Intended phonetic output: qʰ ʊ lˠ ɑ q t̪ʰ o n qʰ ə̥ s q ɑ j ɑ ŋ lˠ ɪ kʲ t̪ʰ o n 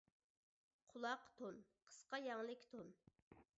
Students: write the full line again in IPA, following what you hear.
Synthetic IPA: qʰ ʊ lˠ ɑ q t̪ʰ o n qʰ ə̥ s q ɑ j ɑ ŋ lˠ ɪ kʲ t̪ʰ o n